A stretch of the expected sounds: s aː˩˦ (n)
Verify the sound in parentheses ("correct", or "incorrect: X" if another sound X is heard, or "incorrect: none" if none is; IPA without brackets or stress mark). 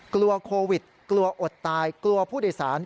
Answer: correct